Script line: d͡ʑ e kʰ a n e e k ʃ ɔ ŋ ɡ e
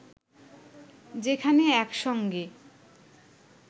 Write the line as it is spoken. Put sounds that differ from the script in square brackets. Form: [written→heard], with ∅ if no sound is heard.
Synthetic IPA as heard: d͡ʑ e kʰ a n e [e→ɛ] k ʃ ɔ ŋ ɡ e